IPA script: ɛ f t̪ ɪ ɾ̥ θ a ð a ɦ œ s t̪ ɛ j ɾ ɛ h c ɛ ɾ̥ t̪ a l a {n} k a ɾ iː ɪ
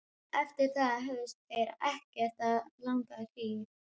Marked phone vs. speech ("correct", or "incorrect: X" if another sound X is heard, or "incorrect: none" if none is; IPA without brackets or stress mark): incorrect: ŋ